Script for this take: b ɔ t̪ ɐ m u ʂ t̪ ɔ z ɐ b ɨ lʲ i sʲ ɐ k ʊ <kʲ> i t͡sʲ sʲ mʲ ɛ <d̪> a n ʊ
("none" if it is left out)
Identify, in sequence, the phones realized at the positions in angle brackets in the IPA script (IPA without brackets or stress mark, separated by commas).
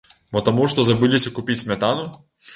pʲ, t̪